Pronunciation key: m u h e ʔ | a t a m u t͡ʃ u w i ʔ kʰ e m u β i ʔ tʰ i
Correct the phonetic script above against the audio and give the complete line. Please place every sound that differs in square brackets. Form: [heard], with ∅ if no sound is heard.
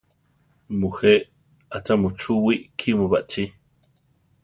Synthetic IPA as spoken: m u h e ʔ | a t a m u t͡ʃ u w i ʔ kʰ [i] m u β [a] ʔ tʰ i